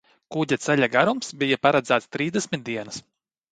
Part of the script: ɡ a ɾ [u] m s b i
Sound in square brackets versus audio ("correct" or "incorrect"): correct